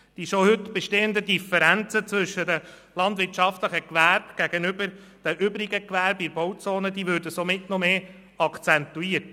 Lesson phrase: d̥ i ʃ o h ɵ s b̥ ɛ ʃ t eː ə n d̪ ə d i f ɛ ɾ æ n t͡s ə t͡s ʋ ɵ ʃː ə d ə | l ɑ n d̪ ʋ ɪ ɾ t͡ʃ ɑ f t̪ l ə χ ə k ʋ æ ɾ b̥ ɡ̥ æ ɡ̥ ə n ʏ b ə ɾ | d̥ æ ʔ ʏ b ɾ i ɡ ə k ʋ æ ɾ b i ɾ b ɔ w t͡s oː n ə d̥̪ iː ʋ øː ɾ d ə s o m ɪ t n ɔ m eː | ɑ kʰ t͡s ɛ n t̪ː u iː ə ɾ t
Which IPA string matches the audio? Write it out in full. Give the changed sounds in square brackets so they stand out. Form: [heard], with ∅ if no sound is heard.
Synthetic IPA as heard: d̥ i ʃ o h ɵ [t] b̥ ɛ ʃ t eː ə n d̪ ə d i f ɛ ɾ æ n t͡s ə t͡s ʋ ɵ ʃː ə d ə | l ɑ n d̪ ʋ ɪ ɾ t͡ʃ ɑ f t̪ l ə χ ə k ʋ æ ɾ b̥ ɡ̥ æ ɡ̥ ə n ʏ b ə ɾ | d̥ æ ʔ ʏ b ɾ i ɡ ə k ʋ æ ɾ b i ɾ b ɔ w t͡s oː n ə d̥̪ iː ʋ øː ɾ d ə s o m ɪ t n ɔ m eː | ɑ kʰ t͡s ɛ n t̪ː u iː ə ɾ t